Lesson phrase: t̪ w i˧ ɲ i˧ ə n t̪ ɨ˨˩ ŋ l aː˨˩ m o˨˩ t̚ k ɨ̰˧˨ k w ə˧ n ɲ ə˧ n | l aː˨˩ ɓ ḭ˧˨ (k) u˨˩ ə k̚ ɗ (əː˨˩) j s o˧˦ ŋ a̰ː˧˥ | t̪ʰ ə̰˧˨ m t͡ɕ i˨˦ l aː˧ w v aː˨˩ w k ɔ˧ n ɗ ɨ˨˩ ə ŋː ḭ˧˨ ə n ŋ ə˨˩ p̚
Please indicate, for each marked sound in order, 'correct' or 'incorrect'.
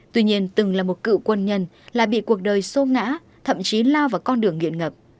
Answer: correct, correct

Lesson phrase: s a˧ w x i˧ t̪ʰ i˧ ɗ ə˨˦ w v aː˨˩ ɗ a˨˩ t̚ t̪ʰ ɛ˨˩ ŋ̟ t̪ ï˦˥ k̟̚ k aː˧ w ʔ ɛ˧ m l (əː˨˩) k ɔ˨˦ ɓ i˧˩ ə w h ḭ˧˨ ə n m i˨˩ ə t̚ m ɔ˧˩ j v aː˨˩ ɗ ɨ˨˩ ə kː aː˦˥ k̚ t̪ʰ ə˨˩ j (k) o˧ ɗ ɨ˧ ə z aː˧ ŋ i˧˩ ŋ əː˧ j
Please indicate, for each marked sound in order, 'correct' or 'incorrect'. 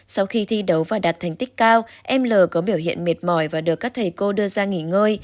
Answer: correct, correct

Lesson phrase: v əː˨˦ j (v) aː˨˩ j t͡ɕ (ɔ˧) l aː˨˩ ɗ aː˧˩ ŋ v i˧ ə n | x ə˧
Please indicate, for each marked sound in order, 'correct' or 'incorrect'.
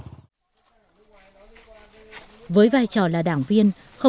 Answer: correct, incorrect

